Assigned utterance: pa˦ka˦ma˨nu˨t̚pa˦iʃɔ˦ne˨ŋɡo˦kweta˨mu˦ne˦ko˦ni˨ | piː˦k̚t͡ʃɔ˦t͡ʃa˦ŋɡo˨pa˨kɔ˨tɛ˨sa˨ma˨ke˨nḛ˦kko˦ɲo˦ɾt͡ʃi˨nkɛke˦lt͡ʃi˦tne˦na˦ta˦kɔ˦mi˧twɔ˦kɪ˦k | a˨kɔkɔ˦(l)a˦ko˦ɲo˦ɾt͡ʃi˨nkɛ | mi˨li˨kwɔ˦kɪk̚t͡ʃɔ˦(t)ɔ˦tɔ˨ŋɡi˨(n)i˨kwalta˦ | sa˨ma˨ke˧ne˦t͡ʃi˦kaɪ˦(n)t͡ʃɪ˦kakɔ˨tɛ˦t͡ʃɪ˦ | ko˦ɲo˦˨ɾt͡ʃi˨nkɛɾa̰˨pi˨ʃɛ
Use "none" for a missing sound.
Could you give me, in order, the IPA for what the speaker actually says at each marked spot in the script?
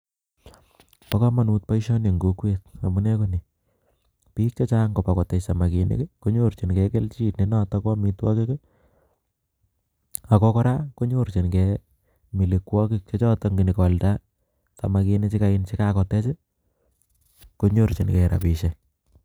ɾ, t͡ʃ, n, n

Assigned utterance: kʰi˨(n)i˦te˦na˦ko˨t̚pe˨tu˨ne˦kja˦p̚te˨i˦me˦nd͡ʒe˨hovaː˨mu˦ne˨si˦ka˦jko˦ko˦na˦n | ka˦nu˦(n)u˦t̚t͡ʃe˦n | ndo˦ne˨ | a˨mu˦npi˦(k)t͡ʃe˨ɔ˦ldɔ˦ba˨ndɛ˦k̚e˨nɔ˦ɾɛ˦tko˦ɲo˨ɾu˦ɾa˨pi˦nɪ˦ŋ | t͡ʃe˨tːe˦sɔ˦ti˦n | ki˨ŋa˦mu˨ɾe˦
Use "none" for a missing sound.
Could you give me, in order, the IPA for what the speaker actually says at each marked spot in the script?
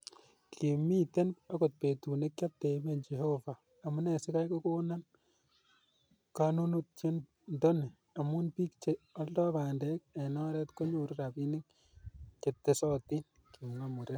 m, n, k

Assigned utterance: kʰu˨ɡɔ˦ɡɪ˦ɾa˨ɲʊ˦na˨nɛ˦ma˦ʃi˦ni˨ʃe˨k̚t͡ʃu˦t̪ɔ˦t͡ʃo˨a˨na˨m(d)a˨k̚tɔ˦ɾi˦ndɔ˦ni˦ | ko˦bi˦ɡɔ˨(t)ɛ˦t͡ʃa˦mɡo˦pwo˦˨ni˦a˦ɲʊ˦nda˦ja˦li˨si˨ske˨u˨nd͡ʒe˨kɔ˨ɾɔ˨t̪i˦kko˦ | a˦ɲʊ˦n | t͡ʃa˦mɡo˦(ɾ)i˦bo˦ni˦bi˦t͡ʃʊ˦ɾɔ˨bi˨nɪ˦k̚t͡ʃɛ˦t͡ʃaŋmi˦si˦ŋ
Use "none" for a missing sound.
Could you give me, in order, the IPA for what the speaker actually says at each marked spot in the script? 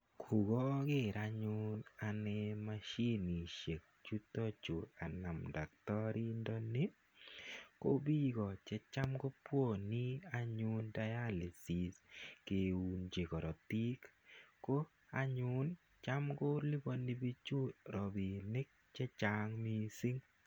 d, t͡ʃ, l

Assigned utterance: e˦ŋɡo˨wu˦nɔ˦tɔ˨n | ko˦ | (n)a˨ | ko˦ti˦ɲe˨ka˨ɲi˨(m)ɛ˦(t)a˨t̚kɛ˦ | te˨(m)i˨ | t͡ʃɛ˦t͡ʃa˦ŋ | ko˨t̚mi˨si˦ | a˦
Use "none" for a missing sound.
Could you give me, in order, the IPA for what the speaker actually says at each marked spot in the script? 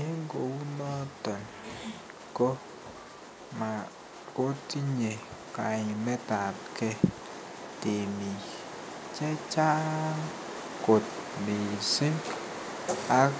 m, m, t, m

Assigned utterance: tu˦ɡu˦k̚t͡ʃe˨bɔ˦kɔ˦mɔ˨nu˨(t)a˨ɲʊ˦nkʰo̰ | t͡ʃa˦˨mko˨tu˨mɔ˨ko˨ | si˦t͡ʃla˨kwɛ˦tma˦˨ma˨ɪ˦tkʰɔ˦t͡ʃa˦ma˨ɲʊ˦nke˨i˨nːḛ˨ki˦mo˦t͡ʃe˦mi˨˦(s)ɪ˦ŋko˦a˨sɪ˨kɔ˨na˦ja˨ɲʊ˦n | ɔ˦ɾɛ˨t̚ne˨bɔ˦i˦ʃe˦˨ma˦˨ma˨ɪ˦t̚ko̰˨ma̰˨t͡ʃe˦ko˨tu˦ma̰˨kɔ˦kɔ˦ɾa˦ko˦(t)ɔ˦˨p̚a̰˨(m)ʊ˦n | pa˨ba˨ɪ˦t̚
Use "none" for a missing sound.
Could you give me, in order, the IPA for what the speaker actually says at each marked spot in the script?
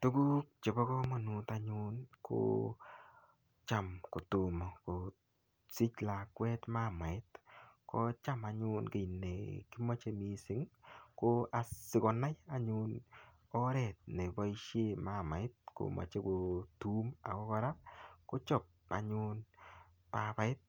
t, s, t͡ʃ, ɲ

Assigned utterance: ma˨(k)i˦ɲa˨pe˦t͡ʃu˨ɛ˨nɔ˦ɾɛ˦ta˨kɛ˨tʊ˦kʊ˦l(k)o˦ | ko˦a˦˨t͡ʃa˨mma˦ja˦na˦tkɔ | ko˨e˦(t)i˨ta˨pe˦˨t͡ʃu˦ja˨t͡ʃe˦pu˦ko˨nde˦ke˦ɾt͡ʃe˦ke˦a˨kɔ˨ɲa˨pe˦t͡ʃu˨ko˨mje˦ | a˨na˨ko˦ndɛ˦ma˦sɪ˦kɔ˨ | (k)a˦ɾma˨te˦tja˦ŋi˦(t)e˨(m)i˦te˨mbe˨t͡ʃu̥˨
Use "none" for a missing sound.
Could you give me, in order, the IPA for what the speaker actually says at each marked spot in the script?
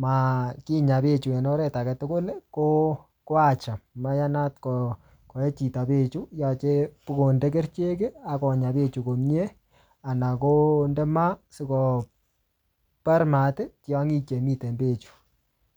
k, k, t͡ʃ, p, t͡ʃ, m

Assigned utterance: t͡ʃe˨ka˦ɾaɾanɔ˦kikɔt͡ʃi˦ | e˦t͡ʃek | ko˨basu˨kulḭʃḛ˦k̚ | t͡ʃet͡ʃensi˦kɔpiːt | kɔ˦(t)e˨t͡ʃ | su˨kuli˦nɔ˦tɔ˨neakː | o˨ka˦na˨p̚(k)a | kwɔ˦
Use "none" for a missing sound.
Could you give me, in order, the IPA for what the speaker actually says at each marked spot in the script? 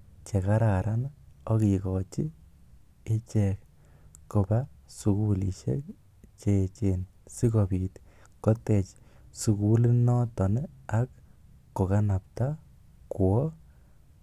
t, t

